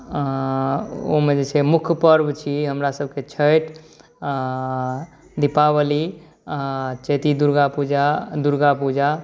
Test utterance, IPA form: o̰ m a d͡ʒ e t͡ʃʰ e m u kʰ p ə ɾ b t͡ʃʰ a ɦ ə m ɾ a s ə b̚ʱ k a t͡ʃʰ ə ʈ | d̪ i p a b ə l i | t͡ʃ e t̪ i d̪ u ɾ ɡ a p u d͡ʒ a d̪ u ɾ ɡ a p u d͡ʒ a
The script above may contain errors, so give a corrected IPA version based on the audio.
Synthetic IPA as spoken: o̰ m e d͡ʒ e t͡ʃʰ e m u kʰ p ə ɾ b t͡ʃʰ i ɦ ə m ɾ a s ə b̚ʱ k e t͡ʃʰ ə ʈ | d̪ i p a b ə l i | t͡ʃ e t̪ i d̪ u ɾ ɡ a p u d͡ʒ a d̪ u ɾ ɡ a p u d͡ʒ a